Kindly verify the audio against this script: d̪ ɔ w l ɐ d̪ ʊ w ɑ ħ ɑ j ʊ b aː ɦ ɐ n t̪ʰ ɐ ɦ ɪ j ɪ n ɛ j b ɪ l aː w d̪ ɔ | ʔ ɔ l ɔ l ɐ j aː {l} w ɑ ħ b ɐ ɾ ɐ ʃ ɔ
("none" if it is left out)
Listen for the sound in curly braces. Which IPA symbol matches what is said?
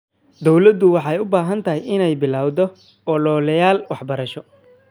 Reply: l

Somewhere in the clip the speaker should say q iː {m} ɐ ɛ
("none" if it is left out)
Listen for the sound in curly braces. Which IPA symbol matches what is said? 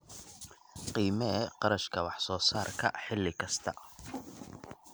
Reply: m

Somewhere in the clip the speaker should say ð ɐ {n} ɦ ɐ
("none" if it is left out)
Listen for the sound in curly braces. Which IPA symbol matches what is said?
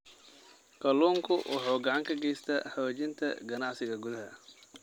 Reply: none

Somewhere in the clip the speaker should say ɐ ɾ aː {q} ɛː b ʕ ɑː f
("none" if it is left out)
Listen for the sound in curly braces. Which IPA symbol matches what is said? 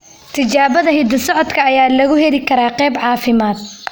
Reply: q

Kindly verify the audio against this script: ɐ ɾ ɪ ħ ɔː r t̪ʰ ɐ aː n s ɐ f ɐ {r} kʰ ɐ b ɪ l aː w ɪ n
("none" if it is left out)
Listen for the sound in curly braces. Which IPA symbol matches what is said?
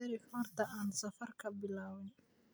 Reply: r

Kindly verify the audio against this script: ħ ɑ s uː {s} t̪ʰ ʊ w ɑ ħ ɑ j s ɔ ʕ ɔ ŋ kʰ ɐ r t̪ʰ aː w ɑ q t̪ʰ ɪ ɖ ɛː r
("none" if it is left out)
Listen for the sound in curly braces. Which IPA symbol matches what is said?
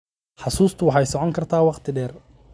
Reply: s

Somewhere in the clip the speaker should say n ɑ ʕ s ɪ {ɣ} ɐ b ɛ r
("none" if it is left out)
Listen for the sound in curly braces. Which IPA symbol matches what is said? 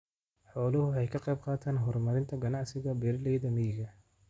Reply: ɣ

